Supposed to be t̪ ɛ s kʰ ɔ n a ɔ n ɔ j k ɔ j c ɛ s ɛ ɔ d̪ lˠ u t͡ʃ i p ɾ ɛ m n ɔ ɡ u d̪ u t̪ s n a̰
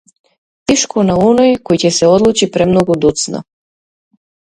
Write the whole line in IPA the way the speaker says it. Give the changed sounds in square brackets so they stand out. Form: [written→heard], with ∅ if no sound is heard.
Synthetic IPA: t̪ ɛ [s→ʃ] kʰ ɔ n a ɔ n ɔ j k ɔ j c ɛ s ɛ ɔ d̪ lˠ u t͡ʃ i p ɾ ɛ m n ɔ ɡ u d̪ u t̪ s n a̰